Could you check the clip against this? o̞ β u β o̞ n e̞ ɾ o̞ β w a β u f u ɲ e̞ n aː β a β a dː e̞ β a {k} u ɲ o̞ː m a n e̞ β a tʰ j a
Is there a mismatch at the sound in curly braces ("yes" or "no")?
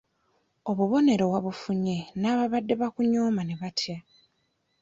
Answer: no